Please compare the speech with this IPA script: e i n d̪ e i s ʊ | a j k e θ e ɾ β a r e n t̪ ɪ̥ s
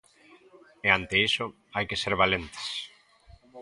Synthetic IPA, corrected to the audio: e a n t̪ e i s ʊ | a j k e s e ɾ β a l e n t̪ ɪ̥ s